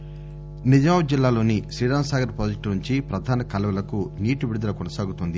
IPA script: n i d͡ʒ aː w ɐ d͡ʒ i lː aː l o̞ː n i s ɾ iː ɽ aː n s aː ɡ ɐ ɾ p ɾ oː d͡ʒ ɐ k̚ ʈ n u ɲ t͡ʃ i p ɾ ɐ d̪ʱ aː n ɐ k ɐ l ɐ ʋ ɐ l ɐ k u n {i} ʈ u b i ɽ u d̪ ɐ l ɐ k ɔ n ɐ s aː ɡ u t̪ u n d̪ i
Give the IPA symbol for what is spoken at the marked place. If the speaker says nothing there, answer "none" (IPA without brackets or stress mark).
iː